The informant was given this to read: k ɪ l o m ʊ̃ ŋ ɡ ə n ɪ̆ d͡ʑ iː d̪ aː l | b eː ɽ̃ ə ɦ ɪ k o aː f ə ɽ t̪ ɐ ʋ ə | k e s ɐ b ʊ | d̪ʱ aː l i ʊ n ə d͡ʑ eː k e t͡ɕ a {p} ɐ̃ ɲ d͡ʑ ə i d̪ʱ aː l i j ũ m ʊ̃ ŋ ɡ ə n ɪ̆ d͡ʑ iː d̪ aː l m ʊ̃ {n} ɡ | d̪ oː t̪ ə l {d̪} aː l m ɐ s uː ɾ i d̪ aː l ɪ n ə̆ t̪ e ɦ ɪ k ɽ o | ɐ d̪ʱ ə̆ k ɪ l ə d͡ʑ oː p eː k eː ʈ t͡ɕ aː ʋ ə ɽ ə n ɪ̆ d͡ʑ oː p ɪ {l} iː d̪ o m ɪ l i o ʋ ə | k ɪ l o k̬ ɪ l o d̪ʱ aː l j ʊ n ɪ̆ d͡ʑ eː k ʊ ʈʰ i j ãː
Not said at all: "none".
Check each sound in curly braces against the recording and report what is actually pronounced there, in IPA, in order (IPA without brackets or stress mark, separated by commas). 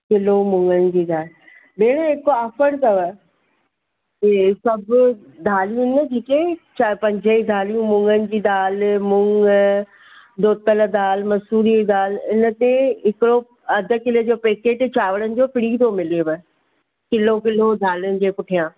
p, ŋ, d̪, ɽ